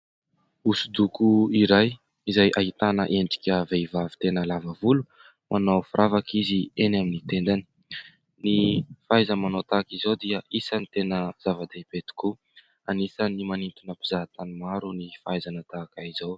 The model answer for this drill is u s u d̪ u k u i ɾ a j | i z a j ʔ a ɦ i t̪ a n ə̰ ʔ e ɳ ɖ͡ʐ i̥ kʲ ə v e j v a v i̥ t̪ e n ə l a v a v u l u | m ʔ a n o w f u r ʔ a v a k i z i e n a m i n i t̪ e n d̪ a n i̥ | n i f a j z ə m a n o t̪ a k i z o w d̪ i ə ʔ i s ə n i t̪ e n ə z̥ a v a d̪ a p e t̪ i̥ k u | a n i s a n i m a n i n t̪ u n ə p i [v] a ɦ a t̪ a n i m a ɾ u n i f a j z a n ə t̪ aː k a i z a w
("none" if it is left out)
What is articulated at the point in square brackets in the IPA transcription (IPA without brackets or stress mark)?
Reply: z